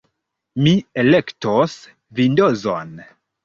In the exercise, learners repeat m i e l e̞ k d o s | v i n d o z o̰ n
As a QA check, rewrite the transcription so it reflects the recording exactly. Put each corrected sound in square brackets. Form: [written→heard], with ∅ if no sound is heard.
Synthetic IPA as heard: m i e l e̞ k [d→t] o s | v i n d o z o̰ n